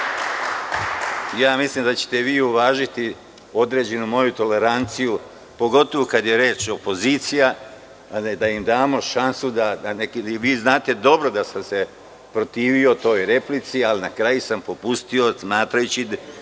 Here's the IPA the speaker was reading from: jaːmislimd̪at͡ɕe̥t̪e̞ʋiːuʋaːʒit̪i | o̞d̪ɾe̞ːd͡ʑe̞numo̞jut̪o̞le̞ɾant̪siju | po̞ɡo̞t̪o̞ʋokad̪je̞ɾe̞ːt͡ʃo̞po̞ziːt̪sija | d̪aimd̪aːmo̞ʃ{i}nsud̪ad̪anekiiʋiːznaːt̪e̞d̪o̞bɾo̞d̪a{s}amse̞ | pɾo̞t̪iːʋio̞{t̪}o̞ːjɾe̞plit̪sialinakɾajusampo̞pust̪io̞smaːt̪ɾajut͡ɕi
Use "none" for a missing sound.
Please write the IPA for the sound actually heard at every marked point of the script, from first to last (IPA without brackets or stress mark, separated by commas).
a, s, t̪